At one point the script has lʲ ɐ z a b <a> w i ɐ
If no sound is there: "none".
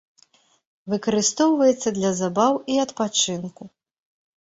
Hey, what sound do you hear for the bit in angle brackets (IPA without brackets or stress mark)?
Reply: a